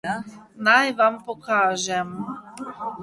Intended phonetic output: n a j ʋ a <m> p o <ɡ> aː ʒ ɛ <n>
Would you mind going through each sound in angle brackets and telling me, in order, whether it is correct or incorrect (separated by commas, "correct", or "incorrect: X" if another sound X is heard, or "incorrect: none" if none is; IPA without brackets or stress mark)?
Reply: correct, incorrect: k, incorrect: m